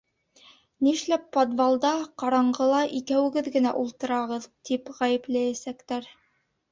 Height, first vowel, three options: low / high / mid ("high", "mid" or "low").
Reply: high